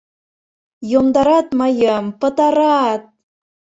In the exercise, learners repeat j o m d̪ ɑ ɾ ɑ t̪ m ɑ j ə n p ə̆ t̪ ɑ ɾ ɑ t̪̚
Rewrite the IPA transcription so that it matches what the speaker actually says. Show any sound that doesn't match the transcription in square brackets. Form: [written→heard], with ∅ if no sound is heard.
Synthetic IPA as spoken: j o m d̪ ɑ ɾ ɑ t̪ m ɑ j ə [n→m] p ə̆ t̪ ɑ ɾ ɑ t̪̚